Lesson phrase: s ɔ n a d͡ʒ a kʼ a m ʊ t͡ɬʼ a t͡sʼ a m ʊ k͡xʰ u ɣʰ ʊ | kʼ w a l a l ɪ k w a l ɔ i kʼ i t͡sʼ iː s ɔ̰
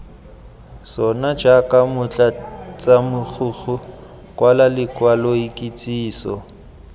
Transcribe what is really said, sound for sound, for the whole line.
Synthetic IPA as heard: s ɔ n a d͡ʒ a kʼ a m ʊ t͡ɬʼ a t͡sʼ a m ʊ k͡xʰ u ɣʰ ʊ | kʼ w a l a l ɪ k w a l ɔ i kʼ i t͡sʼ iː s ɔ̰